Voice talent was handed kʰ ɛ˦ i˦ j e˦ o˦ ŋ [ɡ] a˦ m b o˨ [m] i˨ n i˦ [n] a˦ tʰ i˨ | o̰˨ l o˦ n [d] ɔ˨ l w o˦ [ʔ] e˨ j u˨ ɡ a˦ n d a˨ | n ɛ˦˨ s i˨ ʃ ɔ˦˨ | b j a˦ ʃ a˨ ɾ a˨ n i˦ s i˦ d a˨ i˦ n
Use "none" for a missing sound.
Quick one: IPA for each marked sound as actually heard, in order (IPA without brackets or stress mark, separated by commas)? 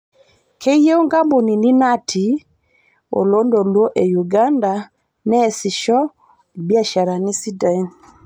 ɡ, n, n, d, ʔ